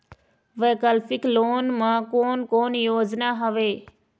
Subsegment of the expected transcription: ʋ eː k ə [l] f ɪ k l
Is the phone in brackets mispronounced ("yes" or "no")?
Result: no